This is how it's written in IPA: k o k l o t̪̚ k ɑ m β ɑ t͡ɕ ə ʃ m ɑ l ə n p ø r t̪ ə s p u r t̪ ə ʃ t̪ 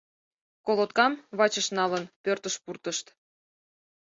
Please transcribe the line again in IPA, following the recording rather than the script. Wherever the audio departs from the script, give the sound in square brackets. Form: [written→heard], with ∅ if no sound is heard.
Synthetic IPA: k o [k→∅] l o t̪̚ k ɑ m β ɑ t͡ɕ ə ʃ [m→n] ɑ l ə n p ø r t̪ ə [s→ʃ] p u r t̪ ə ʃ t̪